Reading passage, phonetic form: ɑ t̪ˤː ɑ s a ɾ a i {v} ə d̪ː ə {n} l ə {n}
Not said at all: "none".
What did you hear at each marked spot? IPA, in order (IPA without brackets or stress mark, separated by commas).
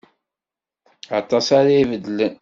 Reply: v, none, n